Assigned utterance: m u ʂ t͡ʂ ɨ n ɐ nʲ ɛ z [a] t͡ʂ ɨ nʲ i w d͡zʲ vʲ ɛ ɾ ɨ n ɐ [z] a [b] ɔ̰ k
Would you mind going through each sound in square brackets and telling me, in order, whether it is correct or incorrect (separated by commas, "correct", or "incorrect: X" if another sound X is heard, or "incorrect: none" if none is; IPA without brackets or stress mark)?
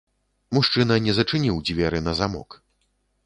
incorrect: ɐ, correct, incorrect: m